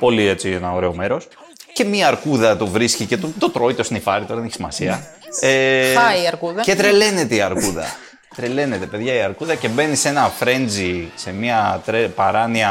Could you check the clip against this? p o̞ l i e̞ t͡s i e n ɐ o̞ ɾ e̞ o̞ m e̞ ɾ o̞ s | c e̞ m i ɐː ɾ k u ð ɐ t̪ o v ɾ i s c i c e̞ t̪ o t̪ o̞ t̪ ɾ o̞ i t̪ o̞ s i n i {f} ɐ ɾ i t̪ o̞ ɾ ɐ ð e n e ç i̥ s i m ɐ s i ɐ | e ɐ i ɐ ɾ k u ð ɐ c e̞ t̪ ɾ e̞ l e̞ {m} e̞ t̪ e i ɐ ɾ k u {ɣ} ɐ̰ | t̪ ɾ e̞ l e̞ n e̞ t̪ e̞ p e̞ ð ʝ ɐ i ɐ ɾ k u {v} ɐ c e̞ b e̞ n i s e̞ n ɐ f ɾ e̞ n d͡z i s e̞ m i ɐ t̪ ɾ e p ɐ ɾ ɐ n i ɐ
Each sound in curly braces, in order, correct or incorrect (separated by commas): correct, incorrect, incorrect, incorrect